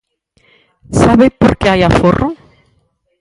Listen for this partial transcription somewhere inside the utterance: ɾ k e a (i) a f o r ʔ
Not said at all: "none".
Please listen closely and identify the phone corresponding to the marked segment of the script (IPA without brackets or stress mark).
j